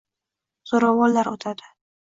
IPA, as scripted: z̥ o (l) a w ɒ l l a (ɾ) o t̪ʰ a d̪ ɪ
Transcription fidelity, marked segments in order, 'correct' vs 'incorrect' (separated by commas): incorrect, correct